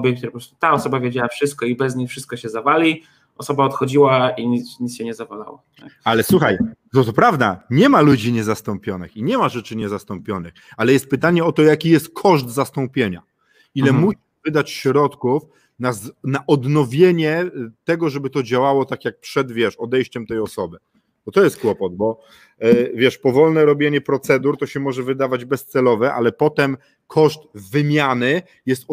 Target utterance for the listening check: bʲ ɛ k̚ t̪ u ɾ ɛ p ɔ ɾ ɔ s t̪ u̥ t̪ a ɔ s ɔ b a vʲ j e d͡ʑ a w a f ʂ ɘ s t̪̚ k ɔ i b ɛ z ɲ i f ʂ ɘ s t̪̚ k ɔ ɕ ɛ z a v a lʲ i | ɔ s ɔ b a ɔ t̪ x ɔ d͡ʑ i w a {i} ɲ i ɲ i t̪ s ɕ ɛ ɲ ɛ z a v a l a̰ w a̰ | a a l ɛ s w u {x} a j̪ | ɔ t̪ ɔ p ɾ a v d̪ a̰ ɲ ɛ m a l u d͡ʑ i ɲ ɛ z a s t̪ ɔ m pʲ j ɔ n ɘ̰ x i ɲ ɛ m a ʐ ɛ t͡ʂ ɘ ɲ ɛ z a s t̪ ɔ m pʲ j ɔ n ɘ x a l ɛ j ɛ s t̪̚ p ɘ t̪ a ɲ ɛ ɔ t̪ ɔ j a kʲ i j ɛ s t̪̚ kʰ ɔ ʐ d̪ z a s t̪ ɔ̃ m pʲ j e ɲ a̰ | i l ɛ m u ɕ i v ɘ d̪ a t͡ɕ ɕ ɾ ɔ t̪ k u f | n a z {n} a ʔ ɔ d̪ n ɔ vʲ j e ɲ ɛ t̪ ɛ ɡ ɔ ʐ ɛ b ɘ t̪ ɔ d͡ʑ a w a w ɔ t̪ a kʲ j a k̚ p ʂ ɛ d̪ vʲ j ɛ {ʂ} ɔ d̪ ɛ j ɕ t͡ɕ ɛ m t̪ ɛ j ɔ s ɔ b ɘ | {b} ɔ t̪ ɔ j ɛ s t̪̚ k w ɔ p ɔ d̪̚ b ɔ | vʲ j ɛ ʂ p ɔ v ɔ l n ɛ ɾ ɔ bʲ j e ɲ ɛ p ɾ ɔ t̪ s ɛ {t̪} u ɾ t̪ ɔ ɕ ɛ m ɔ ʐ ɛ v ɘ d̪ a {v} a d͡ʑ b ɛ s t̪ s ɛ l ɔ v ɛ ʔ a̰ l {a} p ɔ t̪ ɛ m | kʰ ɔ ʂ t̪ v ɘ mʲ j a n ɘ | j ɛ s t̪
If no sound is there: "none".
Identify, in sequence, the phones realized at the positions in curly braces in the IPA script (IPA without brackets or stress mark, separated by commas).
i, x, n, ʂ, b, d̪, v, ɛ